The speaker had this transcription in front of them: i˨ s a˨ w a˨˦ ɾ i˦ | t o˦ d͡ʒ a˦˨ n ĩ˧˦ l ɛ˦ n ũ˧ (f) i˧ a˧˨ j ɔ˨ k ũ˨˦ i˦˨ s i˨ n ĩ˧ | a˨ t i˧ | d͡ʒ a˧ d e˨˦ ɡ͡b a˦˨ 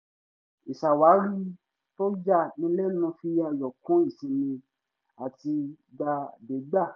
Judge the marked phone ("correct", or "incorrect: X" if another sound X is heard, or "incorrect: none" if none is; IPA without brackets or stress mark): correct